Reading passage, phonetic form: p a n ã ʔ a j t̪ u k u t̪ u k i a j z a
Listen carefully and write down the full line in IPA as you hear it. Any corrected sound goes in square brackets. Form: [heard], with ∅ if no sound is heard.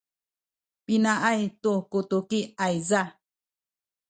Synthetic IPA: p [i] n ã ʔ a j t̪ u k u t̪ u k i a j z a